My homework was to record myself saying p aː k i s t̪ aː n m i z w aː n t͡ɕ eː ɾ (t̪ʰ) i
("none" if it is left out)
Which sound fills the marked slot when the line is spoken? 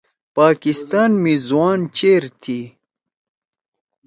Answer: t̪ʰ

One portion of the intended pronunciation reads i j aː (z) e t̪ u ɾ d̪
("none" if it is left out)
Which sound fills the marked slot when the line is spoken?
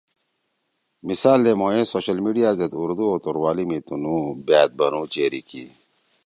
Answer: z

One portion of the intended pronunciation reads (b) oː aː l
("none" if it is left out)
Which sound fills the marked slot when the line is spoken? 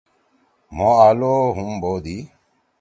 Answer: m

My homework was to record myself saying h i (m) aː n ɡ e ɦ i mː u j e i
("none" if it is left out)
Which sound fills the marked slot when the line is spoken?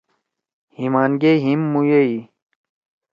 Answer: m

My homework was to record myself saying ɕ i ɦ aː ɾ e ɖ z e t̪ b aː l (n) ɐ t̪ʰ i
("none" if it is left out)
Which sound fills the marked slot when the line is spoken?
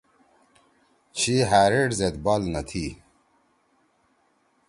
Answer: n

